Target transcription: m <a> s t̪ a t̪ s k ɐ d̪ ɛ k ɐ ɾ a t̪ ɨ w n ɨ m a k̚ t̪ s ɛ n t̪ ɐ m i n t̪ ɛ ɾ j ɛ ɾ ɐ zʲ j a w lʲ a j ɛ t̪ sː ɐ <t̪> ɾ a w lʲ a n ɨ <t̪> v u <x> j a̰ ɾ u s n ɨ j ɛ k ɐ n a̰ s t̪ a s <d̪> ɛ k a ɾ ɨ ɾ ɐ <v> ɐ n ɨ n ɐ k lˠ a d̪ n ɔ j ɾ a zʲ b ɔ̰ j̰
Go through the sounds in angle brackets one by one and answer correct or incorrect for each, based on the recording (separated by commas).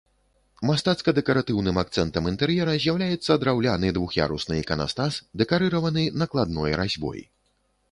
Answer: correct, incorrect, incorrect, correct, correct, correct